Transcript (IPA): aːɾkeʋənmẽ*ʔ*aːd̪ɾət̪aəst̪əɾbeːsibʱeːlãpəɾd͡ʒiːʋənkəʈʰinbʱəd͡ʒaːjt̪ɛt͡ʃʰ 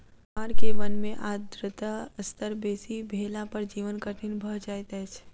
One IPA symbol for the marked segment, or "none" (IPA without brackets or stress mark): ʔ